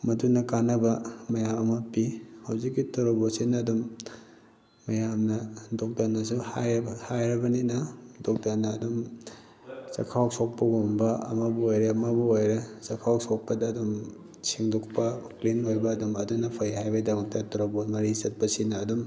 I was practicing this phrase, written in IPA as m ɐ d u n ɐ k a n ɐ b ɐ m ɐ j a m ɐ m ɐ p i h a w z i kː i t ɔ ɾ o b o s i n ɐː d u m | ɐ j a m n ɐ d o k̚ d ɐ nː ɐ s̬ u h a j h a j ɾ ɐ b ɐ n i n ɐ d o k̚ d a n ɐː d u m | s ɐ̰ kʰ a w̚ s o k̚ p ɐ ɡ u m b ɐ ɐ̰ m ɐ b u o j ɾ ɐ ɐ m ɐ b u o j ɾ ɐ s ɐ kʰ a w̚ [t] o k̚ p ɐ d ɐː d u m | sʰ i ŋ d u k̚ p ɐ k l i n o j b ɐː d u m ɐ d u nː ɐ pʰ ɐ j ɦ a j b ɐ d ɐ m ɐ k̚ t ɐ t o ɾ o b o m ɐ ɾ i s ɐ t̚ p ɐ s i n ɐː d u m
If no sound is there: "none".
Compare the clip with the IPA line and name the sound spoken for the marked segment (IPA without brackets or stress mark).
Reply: s